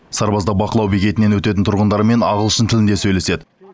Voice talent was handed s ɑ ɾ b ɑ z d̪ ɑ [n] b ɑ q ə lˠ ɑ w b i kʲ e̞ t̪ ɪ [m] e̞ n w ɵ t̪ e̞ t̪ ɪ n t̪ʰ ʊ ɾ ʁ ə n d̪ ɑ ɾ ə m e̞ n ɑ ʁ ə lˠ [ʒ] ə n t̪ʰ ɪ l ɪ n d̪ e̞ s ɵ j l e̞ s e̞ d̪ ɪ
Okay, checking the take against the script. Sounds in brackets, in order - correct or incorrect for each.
incorrect: none, incorrect: n, incorrect: ʃ

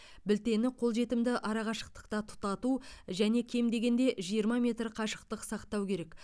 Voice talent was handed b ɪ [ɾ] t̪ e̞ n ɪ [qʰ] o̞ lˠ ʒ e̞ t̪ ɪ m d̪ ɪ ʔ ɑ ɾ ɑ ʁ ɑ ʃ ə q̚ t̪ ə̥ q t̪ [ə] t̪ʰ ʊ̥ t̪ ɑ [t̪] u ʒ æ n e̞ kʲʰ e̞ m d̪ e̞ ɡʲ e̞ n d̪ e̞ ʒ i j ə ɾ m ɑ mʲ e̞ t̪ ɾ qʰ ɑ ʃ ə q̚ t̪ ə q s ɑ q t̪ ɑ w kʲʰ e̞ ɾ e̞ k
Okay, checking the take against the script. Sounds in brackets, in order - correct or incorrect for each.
incorrect: l, correct, incorrect: ɑ, correct

